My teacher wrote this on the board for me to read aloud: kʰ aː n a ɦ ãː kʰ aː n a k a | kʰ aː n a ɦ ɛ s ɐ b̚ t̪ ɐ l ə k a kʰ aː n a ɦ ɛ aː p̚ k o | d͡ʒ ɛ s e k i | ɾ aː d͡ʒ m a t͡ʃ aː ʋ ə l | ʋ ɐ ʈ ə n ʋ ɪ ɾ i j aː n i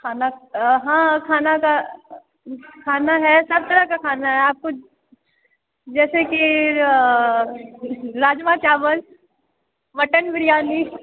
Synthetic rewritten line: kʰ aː n a ɦ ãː kʰ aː n a k a | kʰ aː n a ɦ ɛ s ɐ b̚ t̪ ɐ ɾ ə k a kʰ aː n a ɦ ɛ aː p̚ k o | d͡ʒ ɛː s e k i | ɾ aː d͡ʒ m a t͡ʃ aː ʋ ə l | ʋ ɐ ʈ ə n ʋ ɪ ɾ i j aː n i